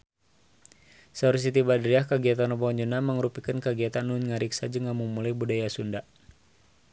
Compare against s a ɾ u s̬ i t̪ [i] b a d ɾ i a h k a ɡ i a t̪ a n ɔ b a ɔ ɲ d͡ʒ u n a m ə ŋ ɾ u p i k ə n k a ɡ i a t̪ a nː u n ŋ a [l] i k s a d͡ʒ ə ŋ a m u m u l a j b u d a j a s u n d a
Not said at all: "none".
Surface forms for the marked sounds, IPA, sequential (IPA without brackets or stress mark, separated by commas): i, ɾ